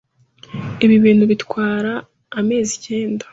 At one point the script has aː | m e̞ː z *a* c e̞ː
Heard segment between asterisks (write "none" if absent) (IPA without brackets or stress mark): i